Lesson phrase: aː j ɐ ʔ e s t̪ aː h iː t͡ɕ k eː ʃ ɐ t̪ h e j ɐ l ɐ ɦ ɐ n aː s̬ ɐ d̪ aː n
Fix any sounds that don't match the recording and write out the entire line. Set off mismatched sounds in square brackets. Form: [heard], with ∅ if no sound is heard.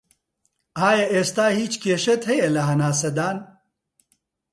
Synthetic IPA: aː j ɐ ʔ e s t̪ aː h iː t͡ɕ k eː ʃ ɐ t̪ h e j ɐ l ɐ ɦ ɐ n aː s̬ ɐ d̪ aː n